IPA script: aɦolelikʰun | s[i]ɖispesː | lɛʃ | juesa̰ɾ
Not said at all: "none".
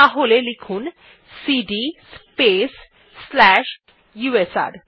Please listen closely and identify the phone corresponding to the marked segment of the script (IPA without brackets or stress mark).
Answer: i